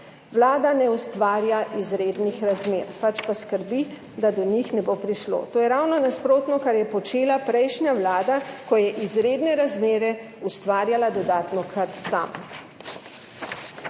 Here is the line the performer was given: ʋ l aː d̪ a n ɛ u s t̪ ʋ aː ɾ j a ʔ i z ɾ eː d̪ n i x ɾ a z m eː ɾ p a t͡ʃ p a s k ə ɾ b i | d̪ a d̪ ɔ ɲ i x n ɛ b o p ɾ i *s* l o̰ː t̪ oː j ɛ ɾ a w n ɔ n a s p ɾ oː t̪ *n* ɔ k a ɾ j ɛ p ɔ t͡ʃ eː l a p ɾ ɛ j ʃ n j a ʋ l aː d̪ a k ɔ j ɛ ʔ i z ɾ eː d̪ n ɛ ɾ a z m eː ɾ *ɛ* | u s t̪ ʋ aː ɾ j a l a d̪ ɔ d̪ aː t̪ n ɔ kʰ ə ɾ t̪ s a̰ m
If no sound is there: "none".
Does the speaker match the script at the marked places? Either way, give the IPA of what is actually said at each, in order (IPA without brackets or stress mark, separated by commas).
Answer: ʃ, n, ɛ